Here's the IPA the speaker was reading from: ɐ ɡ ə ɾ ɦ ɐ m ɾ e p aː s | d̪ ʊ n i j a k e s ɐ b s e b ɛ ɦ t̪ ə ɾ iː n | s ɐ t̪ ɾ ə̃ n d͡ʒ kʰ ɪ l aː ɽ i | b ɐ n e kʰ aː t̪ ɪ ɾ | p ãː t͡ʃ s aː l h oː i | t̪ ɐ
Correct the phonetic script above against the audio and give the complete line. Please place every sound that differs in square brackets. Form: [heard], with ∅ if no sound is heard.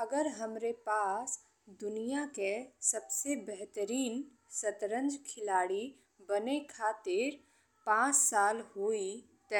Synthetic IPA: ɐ ɡ ə ɾ ɦ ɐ m ɾ e p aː s | d̪ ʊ n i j a k e s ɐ b s e b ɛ ɦ t̪ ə ɾ iː n | s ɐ t̪ ɾ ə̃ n d͡ʒ kʰ ɪ l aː ɽ i | b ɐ n e kʰ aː t̪ ɪ ɾ | p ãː t͡ʃ s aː l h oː i | t̪ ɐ

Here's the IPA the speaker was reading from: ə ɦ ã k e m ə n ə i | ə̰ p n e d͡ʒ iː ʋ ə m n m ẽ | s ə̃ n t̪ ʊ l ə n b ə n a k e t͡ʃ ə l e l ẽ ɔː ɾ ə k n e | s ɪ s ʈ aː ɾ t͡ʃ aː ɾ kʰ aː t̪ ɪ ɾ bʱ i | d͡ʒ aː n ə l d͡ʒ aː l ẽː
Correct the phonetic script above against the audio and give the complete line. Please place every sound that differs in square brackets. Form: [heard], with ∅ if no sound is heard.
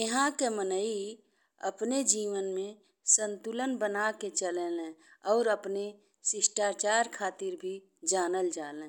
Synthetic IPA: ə ɦ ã k e m ə n ə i | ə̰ p n e d͡ʒ iː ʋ ə [∅] n m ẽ | s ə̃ n t̪ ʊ l ə n b ə n a k e t͡ʃ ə l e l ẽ ɔː ɾ ə [p] n e | s ɪ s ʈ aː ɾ t͡ʃ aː ɾ kʰ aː t̪ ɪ ɾ bʱ i | d͡ʒ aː n ə l d͡ʒ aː l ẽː

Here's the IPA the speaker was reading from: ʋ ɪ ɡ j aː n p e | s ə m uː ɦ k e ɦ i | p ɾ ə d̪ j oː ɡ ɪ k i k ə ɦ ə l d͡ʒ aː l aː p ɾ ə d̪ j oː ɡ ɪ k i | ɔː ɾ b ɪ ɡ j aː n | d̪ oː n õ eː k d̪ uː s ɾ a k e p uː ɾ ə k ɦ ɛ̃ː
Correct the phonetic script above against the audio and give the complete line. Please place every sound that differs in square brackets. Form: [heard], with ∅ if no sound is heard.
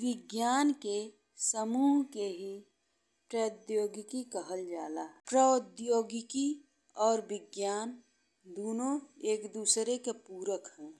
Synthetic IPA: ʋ ɪ ɡ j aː n [k] e | s ə m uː ɦ k e ɦ i | p ɾ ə d̪ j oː ɡ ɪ k i k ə ɦ ə l d͡ʒ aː l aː p ɾ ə d̪ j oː ɡ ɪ k i | ɔː ɾ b ɪ ɡ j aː n | d̪ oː n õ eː k d̪ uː s ɾ [e] k e p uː ɾ ə k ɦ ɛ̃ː

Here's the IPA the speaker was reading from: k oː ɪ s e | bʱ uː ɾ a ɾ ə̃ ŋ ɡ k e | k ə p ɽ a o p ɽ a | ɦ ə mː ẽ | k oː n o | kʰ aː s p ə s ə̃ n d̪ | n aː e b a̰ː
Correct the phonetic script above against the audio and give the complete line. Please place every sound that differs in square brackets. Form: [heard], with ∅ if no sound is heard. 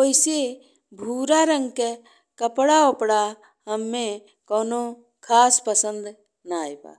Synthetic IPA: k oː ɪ s e | bʱ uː ɾ a ɾ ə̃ ŋ ɡ k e | k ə p ɽ a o p ɽ a | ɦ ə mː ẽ | k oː n o | kʰ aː s p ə s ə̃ n d̪ | n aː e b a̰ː

